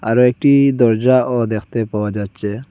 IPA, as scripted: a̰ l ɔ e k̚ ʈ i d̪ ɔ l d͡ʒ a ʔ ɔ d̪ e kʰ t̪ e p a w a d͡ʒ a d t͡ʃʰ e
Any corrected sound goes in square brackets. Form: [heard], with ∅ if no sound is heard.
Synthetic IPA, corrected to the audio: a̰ [ɾ] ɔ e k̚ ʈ i d̪ ɔ [ɾ] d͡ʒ a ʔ ɔ d̪ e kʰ t̪ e p a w a d͡ʒ a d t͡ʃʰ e

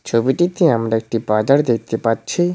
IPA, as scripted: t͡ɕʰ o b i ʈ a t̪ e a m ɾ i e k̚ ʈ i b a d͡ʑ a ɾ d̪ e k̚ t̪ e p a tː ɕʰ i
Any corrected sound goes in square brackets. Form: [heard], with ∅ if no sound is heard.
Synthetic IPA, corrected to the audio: t͡ɕʰ o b i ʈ [i] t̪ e a m ɾ [a] e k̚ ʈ i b a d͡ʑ a ɾ d̪ e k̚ t̪ e p a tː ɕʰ i

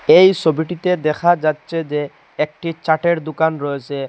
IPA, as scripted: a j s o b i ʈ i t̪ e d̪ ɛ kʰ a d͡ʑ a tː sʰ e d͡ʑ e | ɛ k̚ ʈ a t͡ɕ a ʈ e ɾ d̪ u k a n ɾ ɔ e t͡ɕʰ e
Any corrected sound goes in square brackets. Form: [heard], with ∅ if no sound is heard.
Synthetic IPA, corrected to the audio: [e] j s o b i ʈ i t̪ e d̪ ɛ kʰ a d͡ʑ a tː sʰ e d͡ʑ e | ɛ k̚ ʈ [i] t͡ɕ a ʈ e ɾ d̪ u k a n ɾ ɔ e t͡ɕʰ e

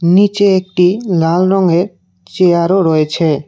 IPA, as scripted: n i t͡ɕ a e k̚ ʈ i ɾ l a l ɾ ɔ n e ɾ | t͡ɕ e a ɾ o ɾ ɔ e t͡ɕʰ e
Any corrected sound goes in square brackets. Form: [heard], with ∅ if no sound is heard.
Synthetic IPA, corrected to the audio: n i t͡ɕ [e] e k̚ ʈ i [∅] l a l ɾ ɔ [ŋ] e ɾ | t͡ɕ e a ɾ o ɾ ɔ e t͡ɕʰ e

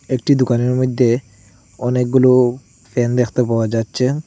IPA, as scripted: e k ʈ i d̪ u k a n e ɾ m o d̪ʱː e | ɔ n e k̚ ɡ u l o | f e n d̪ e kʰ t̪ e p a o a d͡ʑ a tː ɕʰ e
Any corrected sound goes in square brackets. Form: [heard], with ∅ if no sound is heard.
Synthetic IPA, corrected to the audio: e k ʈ i d̪ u k a n e ɾ m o d̪ʱː e | ɔ n e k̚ ɡ u l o | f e n d̪ e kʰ t̪ e p a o a d͡ʑ a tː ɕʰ e

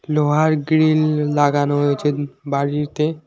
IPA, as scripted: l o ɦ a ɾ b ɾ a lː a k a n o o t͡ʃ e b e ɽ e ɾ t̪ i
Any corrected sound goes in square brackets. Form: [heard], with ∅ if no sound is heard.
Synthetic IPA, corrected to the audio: l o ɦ a ɾ [ɡ] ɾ [i] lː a [ɡ] a n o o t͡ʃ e b [a] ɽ [i] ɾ t̪ [e]

